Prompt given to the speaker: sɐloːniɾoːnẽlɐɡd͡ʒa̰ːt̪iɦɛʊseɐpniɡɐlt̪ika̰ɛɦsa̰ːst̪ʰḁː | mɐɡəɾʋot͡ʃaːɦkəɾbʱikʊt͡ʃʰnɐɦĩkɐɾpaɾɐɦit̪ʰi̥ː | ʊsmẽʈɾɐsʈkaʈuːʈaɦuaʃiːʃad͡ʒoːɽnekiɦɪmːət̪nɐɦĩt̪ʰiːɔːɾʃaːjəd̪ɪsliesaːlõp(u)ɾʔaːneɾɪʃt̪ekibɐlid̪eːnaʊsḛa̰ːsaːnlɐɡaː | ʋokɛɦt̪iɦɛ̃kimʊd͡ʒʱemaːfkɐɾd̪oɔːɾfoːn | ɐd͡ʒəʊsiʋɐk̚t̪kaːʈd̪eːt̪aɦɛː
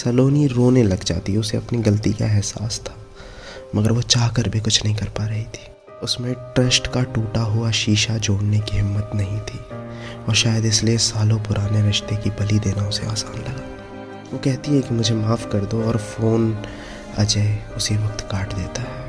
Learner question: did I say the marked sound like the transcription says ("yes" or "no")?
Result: no